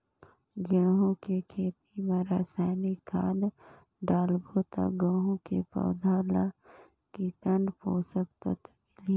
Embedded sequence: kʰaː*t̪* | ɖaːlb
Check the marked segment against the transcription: incorrect: d̪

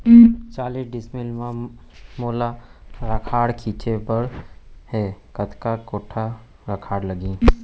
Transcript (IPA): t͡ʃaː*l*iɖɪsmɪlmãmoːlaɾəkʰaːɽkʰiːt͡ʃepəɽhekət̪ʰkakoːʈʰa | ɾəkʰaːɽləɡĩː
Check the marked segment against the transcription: correct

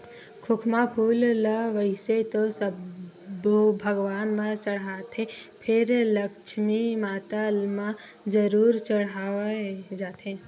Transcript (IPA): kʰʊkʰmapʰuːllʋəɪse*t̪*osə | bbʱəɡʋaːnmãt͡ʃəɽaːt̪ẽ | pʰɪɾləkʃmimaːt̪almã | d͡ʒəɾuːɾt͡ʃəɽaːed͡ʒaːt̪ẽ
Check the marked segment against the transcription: correct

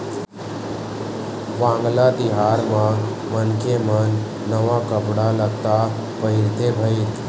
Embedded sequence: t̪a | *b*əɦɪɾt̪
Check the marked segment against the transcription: incorrect: p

